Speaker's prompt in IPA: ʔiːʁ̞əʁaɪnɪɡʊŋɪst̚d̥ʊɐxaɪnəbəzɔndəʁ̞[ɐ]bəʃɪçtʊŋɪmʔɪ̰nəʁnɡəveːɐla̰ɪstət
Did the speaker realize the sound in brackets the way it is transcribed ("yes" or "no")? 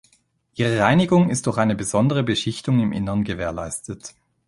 no